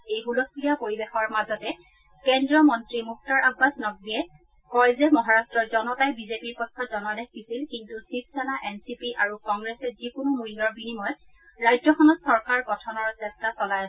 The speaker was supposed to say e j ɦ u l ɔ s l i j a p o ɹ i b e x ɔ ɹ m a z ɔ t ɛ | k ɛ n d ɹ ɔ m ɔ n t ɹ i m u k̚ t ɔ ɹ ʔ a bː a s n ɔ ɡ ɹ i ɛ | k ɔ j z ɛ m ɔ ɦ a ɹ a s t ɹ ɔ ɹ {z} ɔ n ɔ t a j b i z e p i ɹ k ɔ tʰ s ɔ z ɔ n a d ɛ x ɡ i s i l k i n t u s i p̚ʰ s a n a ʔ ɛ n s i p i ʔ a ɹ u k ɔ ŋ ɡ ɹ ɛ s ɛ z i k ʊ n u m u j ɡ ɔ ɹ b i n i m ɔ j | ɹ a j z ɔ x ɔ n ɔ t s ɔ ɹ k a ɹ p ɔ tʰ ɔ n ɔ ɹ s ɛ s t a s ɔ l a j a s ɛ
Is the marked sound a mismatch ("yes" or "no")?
no